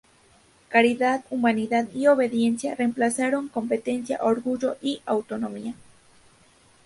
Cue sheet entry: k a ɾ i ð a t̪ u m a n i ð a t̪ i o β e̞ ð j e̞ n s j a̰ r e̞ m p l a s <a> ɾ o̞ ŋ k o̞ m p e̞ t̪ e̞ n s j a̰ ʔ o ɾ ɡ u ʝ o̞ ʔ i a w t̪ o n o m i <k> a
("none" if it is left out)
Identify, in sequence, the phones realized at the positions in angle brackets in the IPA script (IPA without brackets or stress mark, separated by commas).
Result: a, none